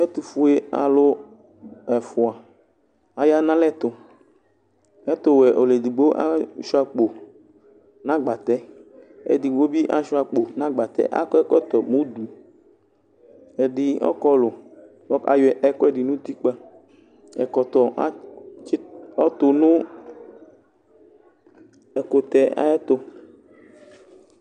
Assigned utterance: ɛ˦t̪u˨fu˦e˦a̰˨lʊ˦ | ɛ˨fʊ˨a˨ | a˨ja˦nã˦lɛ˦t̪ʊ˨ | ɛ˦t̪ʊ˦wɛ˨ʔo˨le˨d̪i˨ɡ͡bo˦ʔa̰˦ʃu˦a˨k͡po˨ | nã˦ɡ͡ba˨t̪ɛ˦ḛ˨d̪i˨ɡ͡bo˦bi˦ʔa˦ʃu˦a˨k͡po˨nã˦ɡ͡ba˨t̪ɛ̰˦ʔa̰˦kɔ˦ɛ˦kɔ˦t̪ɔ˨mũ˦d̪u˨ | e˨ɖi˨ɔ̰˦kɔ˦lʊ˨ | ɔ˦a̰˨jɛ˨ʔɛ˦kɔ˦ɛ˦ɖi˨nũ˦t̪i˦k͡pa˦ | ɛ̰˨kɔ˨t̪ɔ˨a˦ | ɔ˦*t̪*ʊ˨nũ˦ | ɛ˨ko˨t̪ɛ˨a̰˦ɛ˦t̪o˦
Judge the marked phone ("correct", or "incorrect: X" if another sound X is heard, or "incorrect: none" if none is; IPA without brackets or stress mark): correct